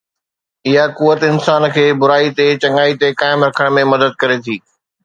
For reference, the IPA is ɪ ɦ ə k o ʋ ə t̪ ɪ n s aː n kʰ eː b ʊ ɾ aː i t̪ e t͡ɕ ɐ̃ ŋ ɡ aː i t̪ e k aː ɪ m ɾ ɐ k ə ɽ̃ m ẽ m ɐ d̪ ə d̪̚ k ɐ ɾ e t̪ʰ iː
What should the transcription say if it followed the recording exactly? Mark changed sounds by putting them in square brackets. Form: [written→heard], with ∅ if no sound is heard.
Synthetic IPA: ɪ ɦ [ə→a] k [o→u] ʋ ə t̪ ɪ n s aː n kʰ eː b ʊ ɾ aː i t̪ e t͡ɕ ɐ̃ ŋ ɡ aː i t̪ e k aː ɪ m ɾ ɐ [k→kʰ] ə ɽ̃ m ẽ m ɐ d̪ ə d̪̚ k ɐ ɾ e t̪ʰ iː

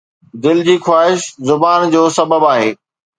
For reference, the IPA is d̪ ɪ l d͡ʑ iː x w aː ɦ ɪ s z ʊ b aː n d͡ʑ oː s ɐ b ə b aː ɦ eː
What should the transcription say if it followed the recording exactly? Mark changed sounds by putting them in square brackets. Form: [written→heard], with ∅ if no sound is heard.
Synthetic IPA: d̪ ɪ l d͡ʑ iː x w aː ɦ ɪ [s→ʃ] z ʊ b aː n d͡ʑ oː s ɐ b ə b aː ɦ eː

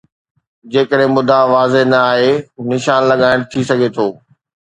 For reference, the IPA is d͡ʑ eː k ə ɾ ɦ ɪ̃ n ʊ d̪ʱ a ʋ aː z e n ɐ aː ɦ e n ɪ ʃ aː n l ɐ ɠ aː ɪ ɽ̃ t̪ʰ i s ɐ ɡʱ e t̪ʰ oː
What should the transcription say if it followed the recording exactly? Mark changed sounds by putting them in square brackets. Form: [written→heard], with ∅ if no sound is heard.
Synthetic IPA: d͡ʑ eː k ə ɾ ɦ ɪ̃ [n→m] ʊ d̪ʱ a ʋ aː z e n ɐ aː ɦ e n ɪ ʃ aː n l ɐ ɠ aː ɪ ɽ̃ t̪ʰ i s ɐ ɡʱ e t̪ʰ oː

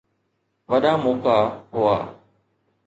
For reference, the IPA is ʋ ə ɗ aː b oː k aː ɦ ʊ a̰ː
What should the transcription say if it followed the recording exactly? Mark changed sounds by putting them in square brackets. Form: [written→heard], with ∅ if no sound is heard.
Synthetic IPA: ʋ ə ɗ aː [b→m] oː k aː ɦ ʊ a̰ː

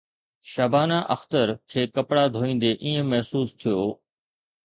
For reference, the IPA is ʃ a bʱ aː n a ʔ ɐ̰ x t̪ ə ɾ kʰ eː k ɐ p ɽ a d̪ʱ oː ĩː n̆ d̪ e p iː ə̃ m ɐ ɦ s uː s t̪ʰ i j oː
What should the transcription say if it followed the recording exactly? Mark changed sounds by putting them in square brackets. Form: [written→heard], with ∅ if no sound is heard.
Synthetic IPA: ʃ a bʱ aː n a ʔ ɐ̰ x t̪ ə ɾ kʰ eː k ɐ p ɽ a d̪ʱ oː ĩː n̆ d̪ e [p→ʔ] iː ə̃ m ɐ ɦ s uː s t̪ʰ i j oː

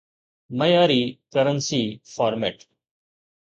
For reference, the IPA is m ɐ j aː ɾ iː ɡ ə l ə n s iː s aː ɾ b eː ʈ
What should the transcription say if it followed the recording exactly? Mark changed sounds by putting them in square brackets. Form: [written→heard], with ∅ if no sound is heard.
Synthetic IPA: m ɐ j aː ɾ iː [ɡ→k] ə [l→ɾ] ə n s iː [s→f] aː ɾ [b→m] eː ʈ

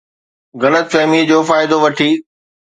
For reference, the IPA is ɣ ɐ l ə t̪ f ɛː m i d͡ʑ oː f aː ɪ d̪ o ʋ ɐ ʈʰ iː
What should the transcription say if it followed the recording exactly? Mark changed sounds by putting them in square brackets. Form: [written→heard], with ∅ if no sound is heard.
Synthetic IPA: ɣ ɐ l ə t̪ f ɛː m i d͡ʑ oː f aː ɪ d̪ o ʋ ɐ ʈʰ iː

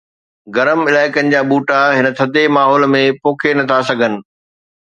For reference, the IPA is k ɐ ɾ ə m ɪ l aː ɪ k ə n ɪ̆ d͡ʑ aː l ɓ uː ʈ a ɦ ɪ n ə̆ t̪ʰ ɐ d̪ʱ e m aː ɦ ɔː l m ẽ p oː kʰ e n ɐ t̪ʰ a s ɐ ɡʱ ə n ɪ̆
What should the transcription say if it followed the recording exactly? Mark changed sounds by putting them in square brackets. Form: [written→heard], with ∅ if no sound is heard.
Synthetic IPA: [k→ɡ] ɐ ɾ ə m ɪ l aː ɪ k ə n ɪ̆ d͡ʑ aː [l→∅] ɓ uː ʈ a ɦ ɪ n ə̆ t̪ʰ ɐ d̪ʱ e m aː ɦ ɔː l m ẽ p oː kʰ e n ɐ t̪ʰ a s ɐ ɡʱ ə n ɪ̆

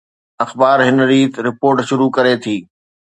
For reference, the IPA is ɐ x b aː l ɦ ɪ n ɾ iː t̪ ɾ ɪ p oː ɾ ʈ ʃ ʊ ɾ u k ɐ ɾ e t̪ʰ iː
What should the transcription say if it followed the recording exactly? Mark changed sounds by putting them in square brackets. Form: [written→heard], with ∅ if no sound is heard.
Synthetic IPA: ɐ x b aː [l→ɾ] ɦ ɪ n ɾ iː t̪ ɾ ɪ p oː ɾ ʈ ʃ ʊ ɾ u k ɐ ɾ e t̪ʰ iː

